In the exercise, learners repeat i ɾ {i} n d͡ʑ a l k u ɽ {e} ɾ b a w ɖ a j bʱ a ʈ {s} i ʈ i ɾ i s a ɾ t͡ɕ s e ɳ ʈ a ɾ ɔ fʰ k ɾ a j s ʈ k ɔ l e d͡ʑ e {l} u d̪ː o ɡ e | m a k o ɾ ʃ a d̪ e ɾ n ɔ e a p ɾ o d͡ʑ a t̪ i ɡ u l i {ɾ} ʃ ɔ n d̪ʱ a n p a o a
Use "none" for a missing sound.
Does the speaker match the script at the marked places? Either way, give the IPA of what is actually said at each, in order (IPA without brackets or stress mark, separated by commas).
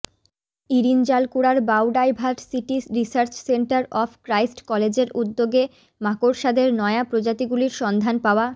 i, a, s, ɾ, ɾ